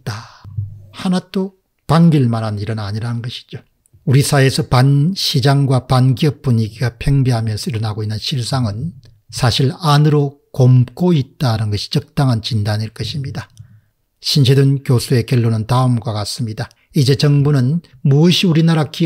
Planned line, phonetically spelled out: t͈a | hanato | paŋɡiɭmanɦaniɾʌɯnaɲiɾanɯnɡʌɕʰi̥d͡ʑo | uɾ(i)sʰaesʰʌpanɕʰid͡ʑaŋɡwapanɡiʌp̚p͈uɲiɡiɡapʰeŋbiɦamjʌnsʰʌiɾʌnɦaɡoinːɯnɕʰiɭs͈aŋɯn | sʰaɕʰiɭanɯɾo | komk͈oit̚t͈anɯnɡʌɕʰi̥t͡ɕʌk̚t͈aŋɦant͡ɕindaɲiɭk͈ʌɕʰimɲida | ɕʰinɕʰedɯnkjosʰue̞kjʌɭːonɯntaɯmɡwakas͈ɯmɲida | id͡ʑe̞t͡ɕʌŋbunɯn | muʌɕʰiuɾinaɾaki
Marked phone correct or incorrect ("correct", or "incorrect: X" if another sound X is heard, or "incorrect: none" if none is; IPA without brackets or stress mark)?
correct